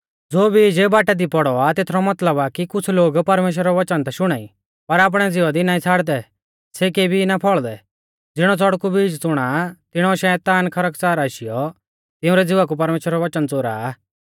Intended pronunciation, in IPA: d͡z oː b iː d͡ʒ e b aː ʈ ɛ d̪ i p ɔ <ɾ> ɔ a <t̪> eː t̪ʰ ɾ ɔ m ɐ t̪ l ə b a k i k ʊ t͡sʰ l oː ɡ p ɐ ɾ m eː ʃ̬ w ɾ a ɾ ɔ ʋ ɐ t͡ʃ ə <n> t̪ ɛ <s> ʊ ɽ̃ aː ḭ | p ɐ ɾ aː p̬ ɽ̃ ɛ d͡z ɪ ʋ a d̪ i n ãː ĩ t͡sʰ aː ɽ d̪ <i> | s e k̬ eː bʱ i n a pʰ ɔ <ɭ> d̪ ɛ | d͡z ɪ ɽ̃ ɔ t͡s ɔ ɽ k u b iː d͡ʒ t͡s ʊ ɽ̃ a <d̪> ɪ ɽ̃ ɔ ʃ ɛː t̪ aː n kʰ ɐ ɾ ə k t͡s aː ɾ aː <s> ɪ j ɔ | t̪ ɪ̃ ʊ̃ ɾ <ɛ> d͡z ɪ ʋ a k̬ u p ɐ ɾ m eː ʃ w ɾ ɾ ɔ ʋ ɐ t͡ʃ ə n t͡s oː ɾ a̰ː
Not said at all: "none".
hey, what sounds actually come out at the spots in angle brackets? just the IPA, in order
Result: ɽ, t̪, n, ʃ, ɛ, ɭ, t̪, ʃ, ɛ

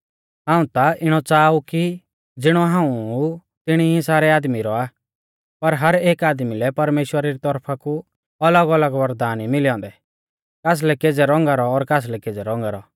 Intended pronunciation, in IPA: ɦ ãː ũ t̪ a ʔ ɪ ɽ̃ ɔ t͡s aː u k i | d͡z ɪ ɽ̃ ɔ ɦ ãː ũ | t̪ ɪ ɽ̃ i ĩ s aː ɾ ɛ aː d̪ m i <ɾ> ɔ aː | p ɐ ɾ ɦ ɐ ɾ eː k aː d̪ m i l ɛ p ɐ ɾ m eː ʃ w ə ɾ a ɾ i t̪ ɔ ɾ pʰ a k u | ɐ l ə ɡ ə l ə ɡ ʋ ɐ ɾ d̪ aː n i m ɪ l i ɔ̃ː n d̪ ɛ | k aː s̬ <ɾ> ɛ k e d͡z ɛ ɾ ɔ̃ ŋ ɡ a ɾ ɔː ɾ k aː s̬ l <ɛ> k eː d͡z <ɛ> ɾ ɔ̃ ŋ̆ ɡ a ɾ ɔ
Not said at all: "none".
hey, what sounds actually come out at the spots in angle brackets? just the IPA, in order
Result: ɾ, l, ɛ, ɛ

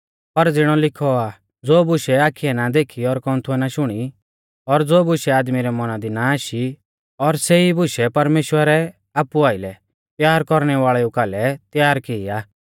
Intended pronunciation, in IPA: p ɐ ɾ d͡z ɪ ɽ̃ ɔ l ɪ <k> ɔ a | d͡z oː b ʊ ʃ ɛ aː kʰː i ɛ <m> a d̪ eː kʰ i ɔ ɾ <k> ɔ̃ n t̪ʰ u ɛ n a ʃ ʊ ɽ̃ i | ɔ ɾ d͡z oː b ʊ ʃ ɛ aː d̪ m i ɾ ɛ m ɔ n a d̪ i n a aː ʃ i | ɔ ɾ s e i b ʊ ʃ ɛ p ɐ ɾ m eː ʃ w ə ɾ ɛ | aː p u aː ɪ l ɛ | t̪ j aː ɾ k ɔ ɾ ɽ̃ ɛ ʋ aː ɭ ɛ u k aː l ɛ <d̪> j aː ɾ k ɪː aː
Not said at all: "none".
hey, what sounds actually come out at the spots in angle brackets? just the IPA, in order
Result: kʰ, n, k, t̪

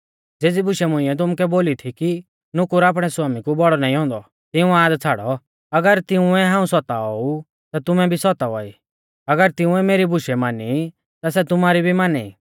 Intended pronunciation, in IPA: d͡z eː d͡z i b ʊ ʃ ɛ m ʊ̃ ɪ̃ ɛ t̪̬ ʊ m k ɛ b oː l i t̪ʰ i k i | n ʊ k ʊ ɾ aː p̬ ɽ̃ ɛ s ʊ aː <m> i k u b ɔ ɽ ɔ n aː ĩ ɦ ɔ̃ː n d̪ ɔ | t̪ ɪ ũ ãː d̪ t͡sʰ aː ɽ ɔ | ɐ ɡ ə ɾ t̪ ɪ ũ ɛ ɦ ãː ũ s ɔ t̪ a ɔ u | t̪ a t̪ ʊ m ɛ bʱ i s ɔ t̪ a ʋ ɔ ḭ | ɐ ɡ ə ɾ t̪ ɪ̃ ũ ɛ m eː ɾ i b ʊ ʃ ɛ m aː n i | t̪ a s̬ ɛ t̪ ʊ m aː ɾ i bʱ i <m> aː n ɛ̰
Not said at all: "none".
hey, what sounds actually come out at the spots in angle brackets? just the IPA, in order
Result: m, m

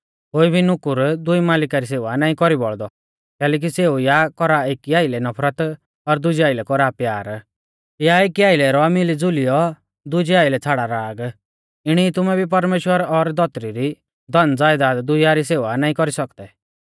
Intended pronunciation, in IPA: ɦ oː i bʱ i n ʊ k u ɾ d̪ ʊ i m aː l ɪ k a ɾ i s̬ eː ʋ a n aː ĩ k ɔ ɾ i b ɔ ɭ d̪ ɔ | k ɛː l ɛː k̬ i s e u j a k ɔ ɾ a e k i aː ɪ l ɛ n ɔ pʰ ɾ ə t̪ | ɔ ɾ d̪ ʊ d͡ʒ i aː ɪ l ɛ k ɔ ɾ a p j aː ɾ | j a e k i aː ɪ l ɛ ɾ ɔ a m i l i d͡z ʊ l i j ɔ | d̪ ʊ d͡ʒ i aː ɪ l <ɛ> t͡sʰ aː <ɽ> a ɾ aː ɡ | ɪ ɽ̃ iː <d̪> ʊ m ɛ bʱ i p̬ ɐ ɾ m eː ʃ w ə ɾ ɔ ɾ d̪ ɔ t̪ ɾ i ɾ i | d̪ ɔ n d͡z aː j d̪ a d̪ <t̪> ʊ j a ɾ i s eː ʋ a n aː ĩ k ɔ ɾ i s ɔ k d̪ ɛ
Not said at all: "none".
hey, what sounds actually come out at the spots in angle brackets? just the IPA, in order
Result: ɛ, ɽ, t̪, d̪

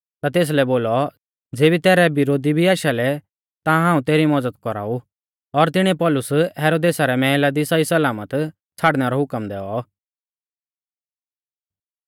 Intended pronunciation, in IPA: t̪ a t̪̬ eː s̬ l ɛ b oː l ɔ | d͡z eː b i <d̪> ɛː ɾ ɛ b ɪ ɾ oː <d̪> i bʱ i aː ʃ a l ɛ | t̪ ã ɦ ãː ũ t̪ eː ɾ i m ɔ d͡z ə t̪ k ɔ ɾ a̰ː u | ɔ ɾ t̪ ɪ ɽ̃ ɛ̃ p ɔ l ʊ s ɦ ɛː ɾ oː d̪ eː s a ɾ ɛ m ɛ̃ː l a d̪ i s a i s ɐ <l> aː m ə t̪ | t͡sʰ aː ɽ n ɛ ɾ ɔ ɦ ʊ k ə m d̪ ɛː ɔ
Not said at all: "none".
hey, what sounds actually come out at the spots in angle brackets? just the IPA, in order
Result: t̪, d̪, l

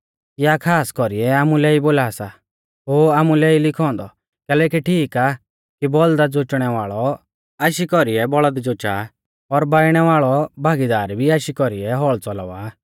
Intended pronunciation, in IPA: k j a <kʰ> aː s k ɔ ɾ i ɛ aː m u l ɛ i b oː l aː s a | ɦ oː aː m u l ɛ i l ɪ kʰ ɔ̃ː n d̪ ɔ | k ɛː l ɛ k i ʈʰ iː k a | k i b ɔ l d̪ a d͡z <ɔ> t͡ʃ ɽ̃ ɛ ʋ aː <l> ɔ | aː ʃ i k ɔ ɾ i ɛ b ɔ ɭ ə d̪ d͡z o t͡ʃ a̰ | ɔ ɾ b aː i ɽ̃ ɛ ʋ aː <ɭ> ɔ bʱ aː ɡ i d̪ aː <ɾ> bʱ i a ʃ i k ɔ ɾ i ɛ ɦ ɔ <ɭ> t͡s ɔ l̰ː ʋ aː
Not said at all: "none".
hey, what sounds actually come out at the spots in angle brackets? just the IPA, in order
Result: kʰ, o, ɭ, ɭ, ɾ, ɭ

